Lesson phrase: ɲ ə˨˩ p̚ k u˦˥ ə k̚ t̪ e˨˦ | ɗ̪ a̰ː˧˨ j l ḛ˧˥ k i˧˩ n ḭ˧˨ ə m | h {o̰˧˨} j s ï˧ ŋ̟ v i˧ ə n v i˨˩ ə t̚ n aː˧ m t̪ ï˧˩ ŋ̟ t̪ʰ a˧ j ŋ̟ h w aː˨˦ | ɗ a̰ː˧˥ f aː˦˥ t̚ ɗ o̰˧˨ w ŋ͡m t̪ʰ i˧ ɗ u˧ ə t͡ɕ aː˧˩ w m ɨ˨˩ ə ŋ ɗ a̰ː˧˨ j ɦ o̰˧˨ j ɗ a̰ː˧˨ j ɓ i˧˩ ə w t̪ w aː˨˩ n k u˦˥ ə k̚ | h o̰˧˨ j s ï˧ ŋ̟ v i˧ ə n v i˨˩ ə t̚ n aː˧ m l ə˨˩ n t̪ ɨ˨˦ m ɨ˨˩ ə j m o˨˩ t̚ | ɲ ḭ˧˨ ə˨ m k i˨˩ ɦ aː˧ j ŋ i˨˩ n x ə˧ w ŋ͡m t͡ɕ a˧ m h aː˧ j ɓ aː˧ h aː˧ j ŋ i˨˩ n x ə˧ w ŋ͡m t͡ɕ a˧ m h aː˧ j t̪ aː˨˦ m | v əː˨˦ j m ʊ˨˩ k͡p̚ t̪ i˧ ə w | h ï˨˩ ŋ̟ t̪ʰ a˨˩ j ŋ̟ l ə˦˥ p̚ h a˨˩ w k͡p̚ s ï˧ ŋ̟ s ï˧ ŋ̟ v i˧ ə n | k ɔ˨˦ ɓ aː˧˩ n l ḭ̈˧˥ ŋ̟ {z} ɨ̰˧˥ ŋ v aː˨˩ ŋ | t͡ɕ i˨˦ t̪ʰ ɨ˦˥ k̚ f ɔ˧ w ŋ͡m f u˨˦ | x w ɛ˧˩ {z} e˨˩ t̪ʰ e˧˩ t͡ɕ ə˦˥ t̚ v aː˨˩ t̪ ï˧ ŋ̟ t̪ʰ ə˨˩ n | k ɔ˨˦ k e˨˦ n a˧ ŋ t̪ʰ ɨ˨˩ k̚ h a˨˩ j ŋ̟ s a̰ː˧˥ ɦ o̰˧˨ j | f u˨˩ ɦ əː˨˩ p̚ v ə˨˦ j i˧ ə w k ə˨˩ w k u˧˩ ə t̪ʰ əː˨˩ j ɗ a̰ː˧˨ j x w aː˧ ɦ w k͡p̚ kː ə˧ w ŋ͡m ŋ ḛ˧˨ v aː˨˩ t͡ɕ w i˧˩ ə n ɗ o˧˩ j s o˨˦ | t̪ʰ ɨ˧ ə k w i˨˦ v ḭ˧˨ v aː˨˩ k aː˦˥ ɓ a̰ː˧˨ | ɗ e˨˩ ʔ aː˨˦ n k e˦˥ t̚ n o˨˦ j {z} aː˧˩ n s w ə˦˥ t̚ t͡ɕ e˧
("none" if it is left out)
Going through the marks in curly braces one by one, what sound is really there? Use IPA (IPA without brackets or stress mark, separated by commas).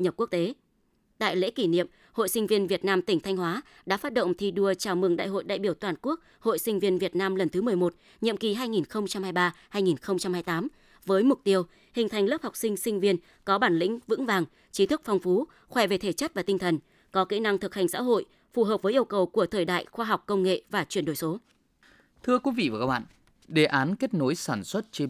o̰˧˨, v, v, s